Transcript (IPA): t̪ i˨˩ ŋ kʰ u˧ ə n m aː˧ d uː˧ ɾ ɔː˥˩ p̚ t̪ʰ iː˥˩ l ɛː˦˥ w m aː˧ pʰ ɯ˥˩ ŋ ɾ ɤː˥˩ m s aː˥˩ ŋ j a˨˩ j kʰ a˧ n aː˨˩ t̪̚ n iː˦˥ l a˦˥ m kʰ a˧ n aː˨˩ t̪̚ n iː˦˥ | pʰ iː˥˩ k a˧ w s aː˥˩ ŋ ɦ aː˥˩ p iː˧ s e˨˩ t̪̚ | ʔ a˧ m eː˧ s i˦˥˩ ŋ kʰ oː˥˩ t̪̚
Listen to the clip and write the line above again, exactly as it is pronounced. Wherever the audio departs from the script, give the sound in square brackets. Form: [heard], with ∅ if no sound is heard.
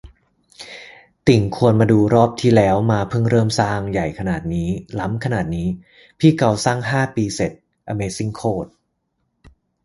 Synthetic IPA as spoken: t̪ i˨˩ ŋ kʰ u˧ ə n m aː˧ d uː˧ ɾ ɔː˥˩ p̚ t̪ʰ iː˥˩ l ɛː˦˥ w m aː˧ pʰ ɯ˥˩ ŋ ɾ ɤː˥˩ m s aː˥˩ ŋ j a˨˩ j kʰ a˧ n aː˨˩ t̪̚ n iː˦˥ l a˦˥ m kʰ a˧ n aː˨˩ t̪̚ n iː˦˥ | pʰ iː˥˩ k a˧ w s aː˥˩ ŋ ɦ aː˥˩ p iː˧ s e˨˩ t̪̚ | ʔ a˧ m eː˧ s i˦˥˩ ŋ kʰ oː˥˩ t̪̚